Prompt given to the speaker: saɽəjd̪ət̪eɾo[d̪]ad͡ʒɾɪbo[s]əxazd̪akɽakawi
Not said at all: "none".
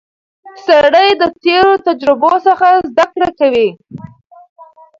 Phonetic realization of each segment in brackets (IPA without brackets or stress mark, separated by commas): t̪, s